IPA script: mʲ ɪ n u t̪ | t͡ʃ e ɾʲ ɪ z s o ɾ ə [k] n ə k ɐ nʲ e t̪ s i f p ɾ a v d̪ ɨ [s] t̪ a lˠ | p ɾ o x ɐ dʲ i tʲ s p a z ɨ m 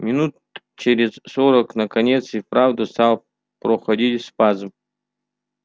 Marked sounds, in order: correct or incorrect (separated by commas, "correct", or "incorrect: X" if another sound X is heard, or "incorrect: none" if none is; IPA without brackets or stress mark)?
correct, correct